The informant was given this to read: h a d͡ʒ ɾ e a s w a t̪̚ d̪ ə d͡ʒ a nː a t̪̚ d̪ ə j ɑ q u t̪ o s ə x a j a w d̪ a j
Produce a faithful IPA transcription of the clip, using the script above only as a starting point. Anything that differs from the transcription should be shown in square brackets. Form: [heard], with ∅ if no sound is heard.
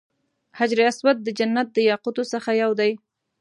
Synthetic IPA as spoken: h a d͡ʒ ɾ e a s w a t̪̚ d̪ ə d͡ʒ a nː a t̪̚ d̪ ə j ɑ q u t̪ o s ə x a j a w d̪ a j